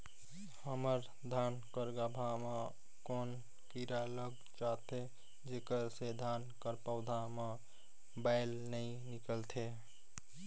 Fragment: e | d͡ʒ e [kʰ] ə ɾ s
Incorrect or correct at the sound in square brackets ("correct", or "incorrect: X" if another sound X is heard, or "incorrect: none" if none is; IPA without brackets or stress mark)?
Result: incorrect: k